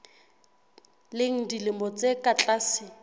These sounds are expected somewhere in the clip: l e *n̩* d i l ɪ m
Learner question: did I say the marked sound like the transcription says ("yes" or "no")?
no